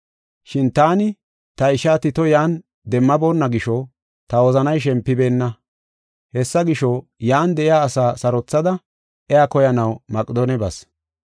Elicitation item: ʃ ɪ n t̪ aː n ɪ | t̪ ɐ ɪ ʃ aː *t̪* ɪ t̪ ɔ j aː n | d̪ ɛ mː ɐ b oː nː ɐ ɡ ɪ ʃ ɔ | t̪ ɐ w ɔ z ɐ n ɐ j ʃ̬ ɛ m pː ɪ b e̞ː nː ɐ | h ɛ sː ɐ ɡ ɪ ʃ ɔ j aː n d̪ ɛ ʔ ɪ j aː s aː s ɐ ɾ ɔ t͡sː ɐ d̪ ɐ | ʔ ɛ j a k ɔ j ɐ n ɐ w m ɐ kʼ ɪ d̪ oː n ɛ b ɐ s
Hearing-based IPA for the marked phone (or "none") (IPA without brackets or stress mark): t̪